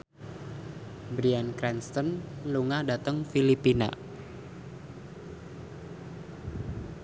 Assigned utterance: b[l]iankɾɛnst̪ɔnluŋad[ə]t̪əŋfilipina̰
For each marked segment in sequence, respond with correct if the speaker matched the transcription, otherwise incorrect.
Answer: incorrect: ɾ, incorrect: a

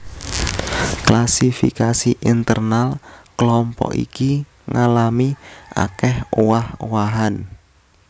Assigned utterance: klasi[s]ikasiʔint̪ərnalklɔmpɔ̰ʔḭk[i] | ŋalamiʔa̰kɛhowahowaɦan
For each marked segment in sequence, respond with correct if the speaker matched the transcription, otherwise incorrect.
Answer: incorrect: f, correct

